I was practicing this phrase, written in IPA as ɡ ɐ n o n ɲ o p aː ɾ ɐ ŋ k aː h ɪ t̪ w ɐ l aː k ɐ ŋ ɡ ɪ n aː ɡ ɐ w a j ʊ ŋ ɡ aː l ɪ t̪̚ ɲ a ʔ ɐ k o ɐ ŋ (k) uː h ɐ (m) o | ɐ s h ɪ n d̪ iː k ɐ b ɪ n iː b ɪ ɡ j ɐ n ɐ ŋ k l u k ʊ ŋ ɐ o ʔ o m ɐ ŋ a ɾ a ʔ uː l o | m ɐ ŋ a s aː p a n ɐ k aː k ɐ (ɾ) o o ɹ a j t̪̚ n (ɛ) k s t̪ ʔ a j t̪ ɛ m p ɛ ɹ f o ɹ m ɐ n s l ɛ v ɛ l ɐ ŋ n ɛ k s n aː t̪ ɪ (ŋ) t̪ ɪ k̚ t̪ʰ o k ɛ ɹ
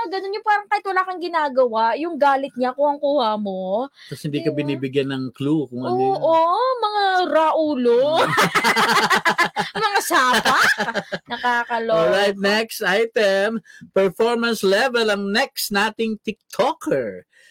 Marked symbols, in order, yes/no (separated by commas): yes, yes, no, yes, yes